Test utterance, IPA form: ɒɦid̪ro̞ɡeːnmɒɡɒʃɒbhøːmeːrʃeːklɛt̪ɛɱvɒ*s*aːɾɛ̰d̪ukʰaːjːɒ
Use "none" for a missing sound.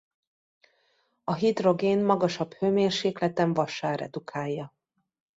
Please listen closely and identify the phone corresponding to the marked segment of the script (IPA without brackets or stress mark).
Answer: ʃ